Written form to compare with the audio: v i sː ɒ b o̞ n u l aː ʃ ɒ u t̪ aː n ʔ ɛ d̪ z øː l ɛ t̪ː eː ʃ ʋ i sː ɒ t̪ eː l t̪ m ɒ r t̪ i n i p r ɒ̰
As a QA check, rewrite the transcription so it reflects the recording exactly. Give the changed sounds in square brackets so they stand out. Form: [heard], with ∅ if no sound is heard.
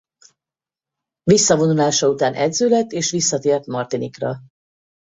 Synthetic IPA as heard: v i sː ɒ [v] o̞ n u l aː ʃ ɒ u t̪ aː n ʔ ɛ d̪ z øː l ɛ t̪ː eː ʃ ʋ i sː ɒ t̪ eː [r] t̪ m ɒ r t̪ i n i [k] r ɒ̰